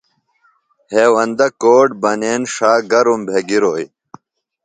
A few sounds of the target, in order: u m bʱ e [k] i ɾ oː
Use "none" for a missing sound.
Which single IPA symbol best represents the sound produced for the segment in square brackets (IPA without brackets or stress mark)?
ɡ